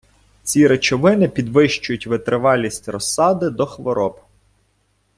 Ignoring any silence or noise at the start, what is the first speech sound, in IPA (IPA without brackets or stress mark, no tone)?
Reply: t͡sʲ